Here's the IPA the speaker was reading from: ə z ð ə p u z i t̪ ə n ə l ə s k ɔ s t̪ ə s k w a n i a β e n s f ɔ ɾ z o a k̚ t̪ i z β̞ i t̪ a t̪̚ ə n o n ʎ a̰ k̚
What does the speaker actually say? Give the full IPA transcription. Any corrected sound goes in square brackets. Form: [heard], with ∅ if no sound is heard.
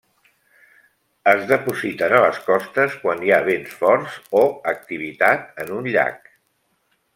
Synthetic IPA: ə z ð ə p u z i t̪ ə n ə l ə s k ɔ s t̪ ə s k w a n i a β e n s f ɔ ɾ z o [ə] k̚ t̪ i [∅] β̞ i t̪ a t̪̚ ə n [u] n ʎ a̰ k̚